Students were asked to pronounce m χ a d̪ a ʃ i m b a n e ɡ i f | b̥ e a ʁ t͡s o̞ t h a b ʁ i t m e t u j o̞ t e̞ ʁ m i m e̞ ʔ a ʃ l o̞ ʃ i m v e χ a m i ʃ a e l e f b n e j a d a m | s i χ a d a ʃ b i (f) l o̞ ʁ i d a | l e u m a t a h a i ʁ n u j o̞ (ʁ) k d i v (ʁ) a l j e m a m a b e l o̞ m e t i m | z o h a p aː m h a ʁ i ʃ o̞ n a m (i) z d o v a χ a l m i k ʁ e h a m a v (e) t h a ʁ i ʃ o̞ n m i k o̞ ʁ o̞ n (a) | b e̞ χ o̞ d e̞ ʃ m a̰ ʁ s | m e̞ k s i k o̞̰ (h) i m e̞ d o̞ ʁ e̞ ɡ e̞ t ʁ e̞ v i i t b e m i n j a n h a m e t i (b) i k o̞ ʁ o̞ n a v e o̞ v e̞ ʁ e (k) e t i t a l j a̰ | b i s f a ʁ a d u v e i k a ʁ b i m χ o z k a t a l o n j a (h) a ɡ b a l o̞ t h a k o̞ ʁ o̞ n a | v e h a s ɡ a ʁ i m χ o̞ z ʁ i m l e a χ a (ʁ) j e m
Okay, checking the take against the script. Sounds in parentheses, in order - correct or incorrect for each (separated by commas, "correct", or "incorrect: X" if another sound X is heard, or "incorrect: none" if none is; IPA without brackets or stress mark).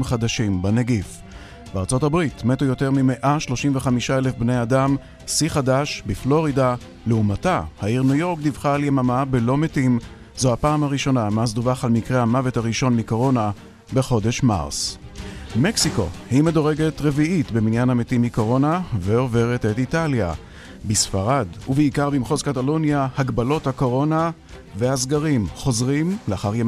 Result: correct, correct, incorrect: χ, incorrect: a, correct, correct, correct, incorrect: m, incorrect: t, correct, correct